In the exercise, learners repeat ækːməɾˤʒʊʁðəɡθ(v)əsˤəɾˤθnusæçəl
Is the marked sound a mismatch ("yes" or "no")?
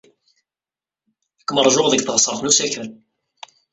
yes